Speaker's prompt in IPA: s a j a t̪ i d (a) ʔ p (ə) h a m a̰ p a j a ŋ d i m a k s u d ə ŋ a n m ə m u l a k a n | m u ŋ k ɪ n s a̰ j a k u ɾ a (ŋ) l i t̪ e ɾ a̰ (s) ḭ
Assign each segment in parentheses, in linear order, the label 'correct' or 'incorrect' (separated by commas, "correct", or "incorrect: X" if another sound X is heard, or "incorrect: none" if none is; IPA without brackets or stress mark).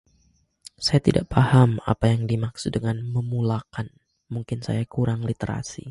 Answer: correct, incorrect: a, correct, correct